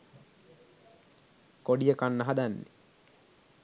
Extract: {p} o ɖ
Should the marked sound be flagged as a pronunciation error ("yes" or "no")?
yes